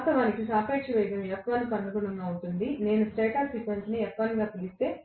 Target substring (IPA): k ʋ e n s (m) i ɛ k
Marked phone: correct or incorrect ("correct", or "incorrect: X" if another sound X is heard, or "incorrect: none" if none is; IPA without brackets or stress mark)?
incorrect: n